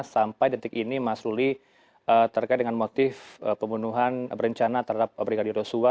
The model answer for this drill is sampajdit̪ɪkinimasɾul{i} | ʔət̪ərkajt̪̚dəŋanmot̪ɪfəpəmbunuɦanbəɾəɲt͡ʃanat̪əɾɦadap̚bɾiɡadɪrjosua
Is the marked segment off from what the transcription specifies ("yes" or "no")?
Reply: no